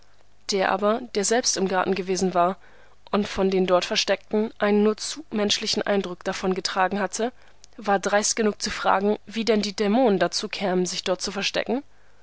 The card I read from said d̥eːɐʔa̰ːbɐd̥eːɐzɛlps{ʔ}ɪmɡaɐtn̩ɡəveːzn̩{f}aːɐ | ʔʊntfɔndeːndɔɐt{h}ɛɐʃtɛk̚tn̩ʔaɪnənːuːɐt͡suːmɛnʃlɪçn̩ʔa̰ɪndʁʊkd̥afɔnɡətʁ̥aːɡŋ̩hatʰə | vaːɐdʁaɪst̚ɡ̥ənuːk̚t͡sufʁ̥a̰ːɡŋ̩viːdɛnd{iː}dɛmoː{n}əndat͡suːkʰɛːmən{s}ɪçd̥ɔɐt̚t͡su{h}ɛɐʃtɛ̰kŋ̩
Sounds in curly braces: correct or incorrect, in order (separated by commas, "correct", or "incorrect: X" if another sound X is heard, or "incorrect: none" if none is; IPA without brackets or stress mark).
incorrect: t, incorrect: v, incorrect: f, correct, correct, incorrect: z, incorrect: f